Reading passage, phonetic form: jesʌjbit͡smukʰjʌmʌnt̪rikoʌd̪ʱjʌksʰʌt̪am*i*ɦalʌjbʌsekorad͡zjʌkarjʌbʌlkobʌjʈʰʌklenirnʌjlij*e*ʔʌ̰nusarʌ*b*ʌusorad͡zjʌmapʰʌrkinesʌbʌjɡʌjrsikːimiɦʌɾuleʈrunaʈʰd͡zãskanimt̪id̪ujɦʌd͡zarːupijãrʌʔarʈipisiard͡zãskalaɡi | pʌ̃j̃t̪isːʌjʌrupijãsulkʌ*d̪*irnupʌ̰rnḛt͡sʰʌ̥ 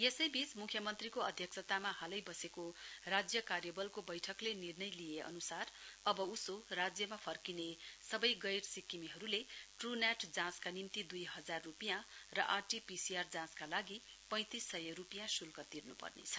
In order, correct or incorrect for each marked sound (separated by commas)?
incorrect, correct, correct, incorrect